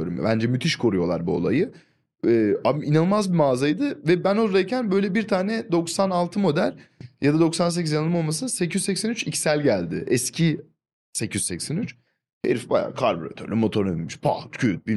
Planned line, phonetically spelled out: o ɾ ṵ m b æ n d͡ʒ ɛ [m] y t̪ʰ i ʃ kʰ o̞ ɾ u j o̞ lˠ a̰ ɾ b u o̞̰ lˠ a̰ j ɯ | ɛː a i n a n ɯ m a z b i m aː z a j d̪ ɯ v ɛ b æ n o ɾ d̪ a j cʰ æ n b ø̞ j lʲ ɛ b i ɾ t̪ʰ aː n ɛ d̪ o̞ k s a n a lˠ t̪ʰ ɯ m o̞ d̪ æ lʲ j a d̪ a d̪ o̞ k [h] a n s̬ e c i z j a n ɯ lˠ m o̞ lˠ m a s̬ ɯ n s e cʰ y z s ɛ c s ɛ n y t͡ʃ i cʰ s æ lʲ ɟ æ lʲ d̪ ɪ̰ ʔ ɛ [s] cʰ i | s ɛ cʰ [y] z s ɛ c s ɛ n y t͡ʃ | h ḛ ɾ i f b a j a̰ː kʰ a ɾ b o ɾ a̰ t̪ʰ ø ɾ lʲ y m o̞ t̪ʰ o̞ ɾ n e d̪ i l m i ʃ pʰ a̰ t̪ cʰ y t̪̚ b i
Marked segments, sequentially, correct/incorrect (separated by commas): correct, incorrect, correct, correct